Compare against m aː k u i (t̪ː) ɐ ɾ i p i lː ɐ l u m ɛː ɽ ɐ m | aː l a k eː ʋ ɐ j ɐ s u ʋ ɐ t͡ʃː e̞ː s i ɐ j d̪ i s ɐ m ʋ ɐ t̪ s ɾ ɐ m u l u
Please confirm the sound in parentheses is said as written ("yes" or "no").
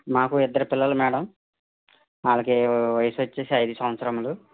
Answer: no